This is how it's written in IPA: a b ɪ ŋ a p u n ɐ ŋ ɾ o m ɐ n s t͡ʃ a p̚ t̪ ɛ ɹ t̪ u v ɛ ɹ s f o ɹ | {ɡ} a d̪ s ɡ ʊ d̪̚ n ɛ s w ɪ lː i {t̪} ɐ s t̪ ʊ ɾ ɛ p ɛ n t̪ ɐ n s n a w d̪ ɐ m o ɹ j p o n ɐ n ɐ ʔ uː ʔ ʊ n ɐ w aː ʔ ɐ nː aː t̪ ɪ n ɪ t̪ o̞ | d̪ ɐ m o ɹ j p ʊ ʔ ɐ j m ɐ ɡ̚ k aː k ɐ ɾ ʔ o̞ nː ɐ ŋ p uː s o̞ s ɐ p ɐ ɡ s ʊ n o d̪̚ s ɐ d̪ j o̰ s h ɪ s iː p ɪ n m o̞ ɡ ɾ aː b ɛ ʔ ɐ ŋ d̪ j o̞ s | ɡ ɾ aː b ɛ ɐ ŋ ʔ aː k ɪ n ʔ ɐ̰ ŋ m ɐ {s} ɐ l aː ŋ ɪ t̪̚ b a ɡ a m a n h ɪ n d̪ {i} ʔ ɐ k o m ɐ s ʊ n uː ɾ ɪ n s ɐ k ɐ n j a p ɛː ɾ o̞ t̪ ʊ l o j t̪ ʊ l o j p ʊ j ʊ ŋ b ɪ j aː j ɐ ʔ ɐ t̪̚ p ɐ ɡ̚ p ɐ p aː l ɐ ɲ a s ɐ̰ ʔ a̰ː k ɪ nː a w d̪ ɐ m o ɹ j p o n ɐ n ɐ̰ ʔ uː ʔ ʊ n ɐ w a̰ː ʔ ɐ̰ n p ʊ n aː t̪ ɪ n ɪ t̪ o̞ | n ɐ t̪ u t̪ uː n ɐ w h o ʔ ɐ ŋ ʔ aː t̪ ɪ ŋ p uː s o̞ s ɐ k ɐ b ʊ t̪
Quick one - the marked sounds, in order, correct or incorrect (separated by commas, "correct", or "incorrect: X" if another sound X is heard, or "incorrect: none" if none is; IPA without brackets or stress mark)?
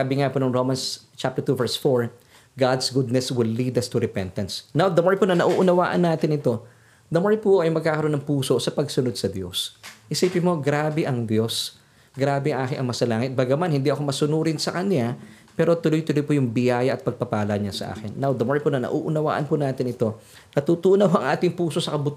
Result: correct, incorrect: d̪, correct, correct